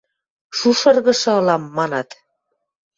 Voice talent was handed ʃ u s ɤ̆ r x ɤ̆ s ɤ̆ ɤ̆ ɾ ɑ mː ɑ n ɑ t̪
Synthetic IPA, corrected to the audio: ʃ u ʃ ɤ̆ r ɣ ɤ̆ ʃ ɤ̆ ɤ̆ l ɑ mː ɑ n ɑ t̪